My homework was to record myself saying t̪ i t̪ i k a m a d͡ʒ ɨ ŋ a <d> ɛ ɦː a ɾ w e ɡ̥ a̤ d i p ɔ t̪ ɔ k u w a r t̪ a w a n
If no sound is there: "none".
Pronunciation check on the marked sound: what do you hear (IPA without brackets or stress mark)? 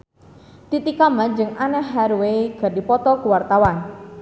n